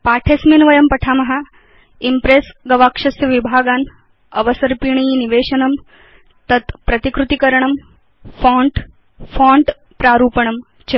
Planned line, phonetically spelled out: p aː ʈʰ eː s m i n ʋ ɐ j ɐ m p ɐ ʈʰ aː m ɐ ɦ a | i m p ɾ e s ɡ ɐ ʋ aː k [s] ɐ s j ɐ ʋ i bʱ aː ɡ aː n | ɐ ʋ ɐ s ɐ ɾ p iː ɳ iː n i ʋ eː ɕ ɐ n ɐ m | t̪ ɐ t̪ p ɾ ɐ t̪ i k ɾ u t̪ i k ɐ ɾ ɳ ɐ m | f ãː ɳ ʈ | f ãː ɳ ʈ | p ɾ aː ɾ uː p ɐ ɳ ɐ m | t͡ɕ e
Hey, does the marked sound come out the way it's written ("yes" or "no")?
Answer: no